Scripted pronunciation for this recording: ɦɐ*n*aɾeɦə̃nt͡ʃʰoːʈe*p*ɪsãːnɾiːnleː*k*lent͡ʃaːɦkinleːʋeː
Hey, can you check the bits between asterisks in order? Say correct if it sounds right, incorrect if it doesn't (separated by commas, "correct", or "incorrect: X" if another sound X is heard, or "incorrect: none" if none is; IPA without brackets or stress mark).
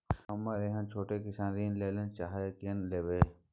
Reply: incorrect: m, incorrect: k, incorrect: none